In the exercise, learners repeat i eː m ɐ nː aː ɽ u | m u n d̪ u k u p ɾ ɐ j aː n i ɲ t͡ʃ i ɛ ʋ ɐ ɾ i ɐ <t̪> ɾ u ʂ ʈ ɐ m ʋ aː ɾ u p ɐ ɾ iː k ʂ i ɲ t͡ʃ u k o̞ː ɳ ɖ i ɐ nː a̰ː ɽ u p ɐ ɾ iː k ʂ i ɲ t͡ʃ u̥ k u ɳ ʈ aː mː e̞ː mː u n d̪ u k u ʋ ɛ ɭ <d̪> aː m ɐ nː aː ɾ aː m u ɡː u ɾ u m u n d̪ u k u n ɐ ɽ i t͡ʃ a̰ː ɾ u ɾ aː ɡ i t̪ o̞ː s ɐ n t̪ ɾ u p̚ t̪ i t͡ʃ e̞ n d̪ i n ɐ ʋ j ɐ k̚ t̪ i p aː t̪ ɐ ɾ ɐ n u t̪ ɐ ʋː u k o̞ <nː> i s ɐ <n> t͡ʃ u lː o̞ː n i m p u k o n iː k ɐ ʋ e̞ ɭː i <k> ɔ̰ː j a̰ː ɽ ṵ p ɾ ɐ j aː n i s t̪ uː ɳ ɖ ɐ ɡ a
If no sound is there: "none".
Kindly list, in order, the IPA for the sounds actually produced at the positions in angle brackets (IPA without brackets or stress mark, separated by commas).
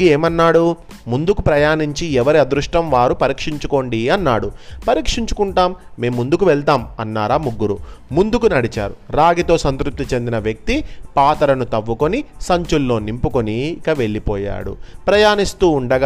d̪, t̪, n, ɲ, p